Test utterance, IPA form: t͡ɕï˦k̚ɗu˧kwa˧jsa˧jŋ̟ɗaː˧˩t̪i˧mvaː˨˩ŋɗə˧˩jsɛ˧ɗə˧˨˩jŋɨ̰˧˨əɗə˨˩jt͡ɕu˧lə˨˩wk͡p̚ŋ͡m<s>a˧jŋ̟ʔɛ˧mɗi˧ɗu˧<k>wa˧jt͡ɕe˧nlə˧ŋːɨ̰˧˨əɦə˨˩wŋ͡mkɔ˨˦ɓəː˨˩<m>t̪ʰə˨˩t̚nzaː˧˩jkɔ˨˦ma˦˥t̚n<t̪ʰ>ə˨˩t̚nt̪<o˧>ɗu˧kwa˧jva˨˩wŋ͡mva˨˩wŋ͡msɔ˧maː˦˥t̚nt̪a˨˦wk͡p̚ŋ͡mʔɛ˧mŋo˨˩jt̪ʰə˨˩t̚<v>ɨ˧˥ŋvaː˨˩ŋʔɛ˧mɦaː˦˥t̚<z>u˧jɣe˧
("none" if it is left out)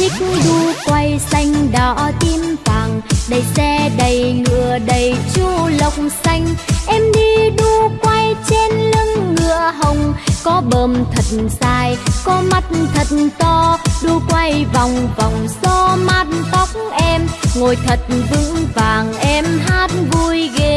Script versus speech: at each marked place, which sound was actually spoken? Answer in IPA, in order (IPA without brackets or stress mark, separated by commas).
s, k, m, t̪ʰ, ɔ˧, v, v